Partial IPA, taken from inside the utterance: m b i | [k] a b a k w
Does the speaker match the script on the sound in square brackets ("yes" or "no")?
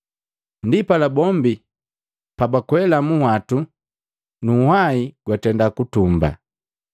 no